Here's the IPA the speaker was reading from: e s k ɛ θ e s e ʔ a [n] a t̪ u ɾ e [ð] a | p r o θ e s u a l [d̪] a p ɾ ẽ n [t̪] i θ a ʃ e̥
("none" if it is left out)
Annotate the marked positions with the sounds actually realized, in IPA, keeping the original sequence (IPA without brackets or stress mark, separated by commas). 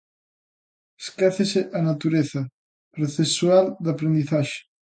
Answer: n, θ, d̪, d̪